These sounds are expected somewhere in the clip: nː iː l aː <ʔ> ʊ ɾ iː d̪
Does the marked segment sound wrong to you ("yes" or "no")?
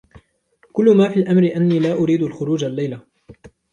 no